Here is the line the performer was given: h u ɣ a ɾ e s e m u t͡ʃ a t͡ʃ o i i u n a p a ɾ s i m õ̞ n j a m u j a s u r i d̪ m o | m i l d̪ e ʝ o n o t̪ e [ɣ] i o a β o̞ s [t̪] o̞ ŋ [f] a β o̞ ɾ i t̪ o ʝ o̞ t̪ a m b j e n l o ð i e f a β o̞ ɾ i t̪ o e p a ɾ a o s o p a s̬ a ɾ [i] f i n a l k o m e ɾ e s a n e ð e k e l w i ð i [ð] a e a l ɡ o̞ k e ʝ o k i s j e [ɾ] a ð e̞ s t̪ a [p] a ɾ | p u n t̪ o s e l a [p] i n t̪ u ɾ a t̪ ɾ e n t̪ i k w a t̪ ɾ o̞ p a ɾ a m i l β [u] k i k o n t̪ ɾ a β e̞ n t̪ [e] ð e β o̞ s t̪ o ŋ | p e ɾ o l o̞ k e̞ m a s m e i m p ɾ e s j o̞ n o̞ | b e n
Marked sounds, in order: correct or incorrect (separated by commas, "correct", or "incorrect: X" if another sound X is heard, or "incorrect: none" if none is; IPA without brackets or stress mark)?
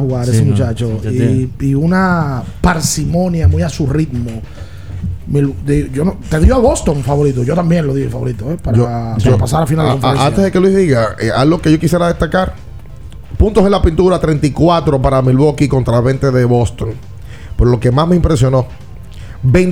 incorrect: ð, correct, correct, incorrect: a, incorrect: ɣ, correct, incorrect: k, correct, incorrect: o, correct